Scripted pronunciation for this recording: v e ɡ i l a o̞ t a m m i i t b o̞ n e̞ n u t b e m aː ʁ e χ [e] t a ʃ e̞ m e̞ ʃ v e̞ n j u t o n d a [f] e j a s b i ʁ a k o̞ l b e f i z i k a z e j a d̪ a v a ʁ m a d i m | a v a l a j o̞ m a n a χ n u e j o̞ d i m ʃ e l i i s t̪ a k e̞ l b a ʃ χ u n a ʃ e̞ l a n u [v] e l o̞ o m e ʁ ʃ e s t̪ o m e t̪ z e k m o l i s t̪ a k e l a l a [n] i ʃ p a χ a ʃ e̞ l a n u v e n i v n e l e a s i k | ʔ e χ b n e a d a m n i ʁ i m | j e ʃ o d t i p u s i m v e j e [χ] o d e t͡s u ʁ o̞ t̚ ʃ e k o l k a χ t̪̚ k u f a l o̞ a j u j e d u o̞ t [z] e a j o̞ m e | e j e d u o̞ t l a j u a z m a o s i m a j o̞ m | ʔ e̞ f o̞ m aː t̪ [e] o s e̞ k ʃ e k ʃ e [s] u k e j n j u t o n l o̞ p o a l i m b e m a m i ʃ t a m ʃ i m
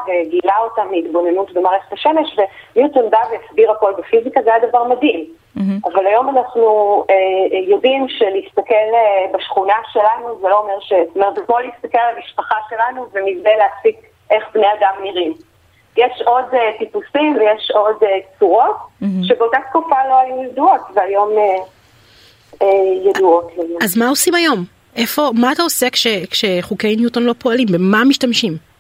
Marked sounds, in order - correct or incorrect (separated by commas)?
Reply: correct, incorrect, incorrect, incorrect, incorrect, incorrect, incorrect, incorrect